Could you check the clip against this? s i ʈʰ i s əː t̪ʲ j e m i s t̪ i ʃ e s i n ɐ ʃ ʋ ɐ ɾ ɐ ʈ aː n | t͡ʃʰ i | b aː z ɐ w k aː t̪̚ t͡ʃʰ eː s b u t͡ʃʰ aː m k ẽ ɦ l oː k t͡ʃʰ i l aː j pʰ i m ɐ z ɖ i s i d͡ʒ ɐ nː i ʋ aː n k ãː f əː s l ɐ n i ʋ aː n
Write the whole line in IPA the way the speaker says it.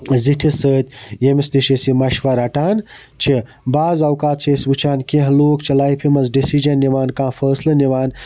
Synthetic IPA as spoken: z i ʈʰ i s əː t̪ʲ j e m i s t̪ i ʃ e s i m ɐ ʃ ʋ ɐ ɾ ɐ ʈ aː n | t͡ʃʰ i | b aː z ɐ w k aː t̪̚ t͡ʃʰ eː s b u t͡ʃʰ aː n k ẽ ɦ l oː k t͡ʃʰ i l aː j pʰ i m ɐ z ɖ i s i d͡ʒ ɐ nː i ʋ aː n k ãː f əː s l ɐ n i ʋ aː n